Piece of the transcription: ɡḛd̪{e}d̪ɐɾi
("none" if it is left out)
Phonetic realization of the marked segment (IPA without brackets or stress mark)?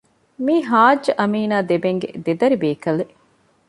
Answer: e